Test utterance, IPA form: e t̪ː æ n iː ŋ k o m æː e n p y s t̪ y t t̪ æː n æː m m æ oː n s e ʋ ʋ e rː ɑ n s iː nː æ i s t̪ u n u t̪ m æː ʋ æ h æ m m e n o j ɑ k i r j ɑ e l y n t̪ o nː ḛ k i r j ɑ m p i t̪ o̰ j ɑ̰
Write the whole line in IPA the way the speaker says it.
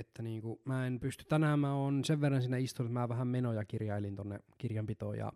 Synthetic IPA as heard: e t̪ː æ n iː ŋ k u m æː e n p y s t̪ y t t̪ æ n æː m m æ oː n s e ʋ ʋ e rː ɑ n s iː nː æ i s t̪ u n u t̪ m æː ʋ æ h æ m m e n o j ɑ k i r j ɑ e l i n t̪ o nː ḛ k i r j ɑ m p i t̪ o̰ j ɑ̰